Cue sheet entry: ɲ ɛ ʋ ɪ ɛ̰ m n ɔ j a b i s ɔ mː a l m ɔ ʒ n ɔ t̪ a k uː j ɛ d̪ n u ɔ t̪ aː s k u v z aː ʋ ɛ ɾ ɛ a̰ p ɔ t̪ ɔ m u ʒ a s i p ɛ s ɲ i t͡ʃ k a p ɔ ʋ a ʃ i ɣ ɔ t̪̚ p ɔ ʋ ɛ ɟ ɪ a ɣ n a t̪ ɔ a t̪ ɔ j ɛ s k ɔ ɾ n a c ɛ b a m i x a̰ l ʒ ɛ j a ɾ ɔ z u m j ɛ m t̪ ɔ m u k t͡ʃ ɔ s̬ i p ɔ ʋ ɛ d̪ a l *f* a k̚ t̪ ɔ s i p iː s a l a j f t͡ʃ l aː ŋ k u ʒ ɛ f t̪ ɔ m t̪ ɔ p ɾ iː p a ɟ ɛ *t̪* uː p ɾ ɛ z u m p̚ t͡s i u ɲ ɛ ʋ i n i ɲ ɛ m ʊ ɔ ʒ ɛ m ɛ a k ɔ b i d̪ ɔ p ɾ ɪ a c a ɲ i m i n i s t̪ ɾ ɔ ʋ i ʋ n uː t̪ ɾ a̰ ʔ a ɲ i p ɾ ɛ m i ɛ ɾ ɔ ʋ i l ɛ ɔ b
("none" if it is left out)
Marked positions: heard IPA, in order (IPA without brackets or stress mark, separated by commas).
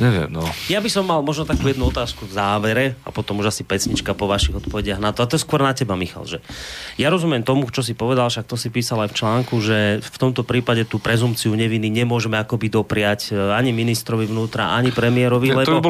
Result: ʃ, t̪